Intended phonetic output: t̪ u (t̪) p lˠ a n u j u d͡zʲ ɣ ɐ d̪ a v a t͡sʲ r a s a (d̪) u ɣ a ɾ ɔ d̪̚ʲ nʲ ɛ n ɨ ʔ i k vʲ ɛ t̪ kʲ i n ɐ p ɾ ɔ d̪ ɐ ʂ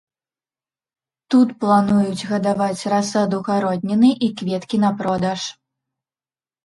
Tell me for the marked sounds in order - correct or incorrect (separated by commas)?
correct, correct